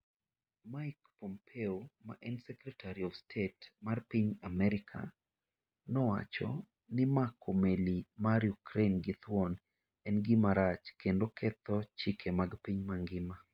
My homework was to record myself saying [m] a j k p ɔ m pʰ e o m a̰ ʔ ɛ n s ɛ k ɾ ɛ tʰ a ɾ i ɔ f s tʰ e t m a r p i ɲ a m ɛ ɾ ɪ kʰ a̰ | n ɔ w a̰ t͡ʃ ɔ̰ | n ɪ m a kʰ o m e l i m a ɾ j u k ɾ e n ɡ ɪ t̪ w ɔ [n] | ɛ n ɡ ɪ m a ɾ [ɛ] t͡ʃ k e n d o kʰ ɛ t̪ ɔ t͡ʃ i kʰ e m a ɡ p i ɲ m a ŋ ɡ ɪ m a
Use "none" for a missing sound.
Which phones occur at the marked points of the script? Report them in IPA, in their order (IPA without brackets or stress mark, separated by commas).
m, n, a